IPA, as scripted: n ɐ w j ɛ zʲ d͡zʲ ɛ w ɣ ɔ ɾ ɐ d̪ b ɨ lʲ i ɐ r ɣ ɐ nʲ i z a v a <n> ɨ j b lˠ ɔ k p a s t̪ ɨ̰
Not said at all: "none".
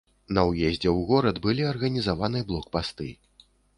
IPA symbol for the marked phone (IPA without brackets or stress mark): n